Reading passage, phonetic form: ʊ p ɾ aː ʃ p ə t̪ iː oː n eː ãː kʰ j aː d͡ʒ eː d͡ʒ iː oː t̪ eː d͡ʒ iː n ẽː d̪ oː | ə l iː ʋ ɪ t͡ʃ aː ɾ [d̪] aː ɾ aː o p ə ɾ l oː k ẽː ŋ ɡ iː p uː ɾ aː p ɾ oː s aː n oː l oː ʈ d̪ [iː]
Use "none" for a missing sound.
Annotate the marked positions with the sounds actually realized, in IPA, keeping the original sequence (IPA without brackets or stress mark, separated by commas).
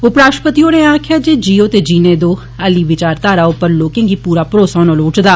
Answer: t̪, aː